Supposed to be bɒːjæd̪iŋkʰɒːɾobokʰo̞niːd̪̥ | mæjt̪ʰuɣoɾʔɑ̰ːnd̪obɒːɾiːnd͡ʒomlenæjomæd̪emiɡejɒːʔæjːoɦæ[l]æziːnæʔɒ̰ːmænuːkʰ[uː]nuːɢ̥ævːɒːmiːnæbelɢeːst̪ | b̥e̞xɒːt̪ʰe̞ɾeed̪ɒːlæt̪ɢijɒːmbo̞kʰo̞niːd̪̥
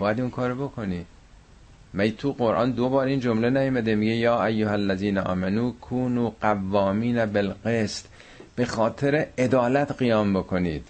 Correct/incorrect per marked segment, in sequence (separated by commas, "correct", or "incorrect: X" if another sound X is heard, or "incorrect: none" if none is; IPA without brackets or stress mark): incorrect: lː, correct